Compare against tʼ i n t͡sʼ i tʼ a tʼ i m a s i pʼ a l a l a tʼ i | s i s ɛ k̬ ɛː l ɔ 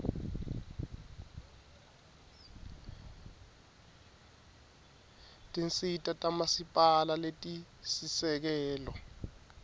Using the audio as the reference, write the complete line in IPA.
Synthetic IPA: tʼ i n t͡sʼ i tʼ a tʼ a m a s i pʼ a l a l e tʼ i | s i s ɛ k̬ ɛː l ɔ